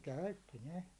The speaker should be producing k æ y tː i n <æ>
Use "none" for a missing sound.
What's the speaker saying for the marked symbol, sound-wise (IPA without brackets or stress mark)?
e